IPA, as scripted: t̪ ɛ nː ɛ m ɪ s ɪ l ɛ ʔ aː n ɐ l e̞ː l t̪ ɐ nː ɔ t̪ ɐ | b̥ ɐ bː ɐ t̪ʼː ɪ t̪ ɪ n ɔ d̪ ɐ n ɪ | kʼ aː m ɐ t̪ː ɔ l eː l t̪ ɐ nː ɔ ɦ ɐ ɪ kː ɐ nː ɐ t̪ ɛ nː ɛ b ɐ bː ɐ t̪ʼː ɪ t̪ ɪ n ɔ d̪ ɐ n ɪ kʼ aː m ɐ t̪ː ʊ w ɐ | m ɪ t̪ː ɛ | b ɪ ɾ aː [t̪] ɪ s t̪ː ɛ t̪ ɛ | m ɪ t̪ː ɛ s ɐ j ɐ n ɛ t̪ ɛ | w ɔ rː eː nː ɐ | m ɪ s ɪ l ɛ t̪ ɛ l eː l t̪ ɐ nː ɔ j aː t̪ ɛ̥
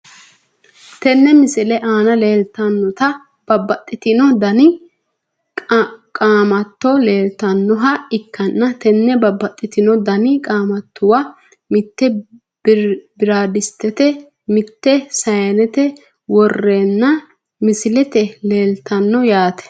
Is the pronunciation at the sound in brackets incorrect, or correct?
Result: incorrect